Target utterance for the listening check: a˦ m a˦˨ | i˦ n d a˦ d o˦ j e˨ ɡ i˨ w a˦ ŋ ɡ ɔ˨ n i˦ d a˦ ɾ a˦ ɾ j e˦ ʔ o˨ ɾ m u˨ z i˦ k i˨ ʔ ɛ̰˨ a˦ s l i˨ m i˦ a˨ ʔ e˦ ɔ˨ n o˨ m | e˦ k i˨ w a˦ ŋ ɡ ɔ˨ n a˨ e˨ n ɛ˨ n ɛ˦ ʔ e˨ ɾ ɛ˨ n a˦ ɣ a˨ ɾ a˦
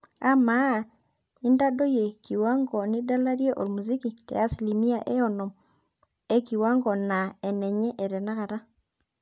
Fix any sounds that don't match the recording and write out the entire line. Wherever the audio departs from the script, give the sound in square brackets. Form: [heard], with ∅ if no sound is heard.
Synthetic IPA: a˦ m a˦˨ | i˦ n d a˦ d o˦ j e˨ [k] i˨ w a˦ ŋ ɡ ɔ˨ n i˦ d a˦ [l] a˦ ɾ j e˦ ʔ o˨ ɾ m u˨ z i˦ k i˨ [t] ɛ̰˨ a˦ s l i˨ m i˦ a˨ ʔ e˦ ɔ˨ n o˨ m | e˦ k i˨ w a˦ ŋ ɡ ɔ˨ n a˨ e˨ n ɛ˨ [ɲ] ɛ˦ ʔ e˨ ɾ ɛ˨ n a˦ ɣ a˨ ɾ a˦

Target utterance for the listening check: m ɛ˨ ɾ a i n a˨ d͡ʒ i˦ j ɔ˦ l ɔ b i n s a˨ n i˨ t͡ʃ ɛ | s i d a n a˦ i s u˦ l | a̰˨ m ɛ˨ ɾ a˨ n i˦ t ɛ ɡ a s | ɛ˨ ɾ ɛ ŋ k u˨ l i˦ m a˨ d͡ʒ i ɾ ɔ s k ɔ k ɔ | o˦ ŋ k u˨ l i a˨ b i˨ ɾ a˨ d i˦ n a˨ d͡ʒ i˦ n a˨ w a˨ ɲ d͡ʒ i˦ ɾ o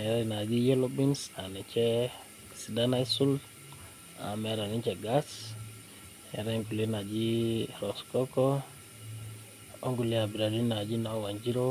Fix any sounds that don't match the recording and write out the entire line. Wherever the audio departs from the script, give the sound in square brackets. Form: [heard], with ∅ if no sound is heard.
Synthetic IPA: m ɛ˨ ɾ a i n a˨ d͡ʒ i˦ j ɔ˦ l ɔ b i n s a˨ n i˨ t͡ʃ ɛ | s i d a n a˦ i s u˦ l | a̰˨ m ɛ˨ ɾ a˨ n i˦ [t͡ʃ] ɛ ɡ a s | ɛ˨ ɾ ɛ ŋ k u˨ l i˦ [n] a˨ d͡ʒ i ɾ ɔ s k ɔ k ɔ | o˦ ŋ [ɡ] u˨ l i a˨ b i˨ ɾ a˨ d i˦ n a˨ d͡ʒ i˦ n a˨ w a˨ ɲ d͡ʒ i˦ ɾ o

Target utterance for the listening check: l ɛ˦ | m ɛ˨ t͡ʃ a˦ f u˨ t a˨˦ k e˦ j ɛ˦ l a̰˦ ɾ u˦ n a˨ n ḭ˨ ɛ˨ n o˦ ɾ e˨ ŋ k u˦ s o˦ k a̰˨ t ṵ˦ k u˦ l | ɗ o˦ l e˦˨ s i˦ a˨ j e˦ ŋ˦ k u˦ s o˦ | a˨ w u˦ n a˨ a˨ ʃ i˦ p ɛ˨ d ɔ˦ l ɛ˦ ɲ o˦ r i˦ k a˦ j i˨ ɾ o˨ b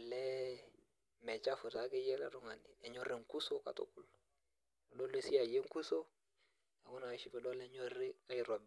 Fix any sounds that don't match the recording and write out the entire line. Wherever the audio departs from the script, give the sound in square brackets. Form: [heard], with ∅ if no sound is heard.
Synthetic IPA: l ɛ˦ | m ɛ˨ t͡ʃ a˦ f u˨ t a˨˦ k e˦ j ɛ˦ l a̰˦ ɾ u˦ [ŋ] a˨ n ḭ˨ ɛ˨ [ɲ] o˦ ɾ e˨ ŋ k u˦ s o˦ k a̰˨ t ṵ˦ k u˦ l | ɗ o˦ l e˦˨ s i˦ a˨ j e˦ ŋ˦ k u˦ s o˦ | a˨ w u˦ n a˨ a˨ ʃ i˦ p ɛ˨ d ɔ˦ l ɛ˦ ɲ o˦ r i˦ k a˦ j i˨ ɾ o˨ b

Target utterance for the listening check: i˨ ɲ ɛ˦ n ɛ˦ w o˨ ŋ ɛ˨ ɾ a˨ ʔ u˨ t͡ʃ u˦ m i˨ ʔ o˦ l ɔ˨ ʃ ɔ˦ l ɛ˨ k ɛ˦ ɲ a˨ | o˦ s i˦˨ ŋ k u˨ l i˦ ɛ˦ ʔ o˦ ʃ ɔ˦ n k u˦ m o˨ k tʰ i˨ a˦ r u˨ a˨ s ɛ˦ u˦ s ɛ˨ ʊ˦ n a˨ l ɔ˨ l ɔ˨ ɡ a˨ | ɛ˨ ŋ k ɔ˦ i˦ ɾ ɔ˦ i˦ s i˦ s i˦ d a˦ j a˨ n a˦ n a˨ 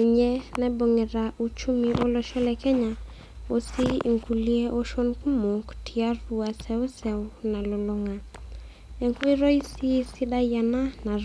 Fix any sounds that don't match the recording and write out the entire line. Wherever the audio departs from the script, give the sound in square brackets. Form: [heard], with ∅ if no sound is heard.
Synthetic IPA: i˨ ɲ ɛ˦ n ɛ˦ [b] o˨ ŋ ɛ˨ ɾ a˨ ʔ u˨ t͡ʃ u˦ m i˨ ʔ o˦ l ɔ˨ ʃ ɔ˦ l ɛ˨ k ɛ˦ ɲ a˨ | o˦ s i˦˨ ŋ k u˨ l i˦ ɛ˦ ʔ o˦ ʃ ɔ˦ n k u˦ m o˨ k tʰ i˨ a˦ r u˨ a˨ s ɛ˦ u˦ s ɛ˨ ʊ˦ n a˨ l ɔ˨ l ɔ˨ [ŋ] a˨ | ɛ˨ ŋ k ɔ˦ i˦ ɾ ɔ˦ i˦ s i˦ s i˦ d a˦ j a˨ n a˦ n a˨

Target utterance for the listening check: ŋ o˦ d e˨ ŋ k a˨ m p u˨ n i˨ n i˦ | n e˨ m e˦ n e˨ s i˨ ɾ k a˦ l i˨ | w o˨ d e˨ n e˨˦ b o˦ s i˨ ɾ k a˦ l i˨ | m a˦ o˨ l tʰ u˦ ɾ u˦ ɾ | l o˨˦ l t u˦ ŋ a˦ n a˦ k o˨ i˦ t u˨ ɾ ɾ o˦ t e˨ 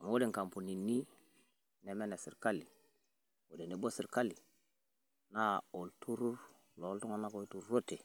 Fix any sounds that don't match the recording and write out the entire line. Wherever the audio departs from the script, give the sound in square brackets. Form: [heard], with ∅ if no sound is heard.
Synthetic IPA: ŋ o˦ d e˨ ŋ k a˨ m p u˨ n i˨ n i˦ | n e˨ m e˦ n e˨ s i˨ ɾ k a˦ l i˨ | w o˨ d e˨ n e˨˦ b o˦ s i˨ ɾ k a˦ l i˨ | [n] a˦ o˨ l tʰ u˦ ɾ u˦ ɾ | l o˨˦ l t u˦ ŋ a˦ n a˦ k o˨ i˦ t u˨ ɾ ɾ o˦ t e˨

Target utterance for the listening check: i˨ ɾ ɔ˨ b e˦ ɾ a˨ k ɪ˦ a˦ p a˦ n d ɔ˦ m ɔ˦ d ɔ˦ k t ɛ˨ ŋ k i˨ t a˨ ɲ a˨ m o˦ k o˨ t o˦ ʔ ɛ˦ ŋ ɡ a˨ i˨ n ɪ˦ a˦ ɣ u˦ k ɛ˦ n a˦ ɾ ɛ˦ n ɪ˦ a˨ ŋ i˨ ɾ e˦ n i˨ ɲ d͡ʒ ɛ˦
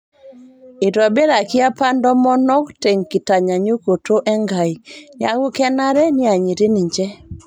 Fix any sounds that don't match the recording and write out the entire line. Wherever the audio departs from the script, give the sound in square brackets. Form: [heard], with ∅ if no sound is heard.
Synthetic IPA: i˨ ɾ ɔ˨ b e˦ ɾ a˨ k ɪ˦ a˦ p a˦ n d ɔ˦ m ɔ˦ [n] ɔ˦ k t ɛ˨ ŋ k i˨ t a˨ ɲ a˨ [ɲ] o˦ k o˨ t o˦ ʔ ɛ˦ ŋ ɡ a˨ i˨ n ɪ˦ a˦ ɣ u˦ k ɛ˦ n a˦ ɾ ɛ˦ n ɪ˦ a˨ [ɲ] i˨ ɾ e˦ n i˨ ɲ d͡ʒ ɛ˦

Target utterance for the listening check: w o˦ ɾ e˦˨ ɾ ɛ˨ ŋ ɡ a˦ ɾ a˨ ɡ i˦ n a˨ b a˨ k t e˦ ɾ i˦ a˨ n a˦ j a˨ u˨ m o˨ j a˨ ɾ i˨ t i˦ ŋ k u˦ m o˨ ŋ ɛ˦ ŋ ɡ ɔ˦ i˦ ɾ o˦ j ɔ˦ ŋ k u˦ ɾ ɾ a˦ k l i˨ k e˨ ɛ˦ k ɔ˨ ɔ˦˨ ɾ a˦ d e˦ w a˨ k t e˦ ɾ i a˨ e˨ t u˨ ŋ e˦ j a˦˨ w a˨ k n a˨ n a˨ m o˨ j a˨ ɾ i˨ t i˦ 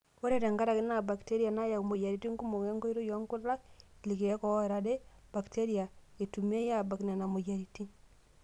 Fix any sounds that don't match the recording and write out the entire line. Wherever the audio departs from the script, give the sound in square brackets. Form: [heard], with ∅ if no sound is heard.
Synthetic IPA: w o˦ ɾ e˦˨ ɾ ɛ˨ ŋ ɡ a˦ ɾ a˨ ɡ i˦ n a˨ b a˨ k t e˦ ɾ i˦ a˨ n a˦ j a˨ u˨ m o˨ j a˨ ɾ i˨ t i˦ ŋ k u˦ m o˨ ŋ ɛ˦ ŋ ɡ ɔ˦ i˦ ɾ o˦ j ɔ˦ ŋ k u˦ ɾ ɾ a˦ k l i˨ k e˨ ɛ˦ k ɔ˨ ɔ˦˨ ɾ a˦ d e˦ [b] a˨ k t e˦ ɾ i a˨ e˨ t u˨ [m] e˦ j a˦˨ [b] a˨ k n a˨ n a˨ m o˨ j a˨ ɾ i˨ t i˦

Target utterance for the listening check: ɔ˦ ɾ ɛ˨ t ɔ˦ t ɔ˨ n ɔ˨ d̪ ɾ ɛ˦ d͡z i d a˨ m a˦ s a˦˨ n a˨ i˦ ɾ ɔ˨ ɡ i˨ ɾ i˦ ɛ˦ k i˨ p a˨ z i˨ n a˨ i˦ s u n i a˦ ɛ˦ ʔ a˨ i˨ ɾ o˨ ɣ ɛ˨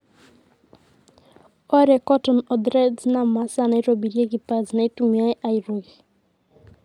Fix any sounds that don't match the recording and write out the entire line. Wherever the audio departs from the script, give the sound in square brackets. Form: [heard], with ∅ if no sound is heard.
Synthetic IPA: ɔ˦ ɾ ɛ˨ [k] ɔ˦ t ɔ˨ n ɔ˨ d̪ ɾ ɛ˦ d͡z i [n] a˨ m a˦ s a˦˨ n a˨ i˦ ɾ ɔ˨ [b] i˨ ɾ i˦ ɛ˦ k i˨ p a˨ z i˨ n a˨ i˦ [t] u [m] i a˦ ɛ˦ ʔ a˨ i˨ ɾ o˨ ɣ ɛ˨

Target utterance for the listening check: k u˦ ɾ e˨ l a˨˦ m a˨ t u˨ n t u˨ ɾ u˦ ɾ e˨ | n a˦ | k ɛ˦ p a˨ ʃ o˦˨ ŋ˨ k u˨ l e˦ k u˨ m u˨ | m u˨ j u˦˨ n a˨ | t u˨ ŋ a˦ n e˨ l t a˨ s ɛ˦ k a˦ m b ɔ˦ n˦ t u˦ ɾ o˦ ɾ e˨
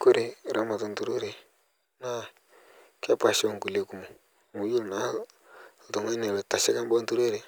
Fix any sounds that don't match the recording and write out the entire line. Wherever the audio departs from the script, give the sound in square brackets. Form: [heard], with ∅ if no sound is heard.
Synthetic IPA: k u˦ ɾ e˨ [ɾ] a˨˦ m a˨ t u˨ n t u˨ ɾ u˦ ɾ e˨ | n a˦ | k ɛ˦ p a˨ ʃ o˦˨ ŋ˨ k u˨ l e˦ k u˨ m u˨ | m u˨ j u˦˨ n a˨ | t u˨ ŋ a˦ n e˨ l t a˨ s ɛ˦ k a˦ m b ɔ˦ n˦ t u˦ ɾ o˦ ɾ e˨

